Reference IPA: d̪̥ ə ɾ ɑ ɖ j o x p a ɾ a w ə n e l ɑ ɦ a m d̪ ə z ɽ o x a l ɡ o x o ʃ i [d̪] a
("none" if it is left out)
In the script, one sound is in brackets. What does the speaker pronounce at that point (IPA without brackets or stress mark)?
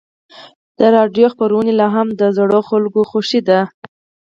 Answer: d̪